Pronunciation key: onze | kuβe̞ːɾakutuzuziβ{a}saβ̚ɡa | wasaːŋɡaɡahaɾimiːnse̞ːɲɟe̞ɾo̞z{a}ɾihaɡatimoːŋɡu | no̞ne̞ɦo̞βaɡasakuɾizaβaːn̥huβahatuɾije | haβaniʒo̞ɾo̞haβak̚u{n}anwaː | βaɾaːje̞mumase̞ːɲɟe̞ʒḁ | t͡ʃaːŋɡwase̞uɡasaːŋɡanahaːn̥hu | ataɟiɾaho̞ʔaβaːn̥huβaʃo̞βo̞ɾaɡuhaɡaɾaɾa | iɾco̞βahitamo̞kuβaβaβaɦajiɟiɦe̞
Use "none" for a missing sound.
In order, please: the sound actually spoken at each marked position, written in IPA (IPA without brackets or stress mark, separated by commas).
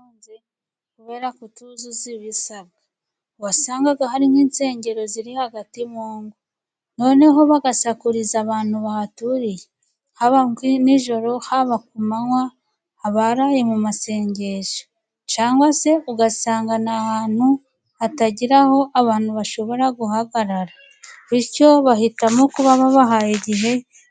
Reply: i, i, m